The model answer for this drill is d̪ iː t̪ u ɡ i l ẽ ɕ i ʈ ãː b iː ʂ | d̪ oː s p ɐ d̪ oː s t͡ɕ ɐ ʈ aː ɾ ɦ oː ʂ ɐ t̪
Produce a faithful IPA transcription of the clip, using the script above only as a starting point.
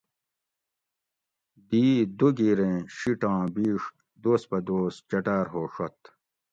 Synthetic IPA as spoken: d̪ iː d̪ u ɡ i ɾ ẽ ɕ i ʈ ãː b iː ʂ | d̪ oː s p ɐ d̪ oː s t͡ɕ ɐ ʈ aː ɾ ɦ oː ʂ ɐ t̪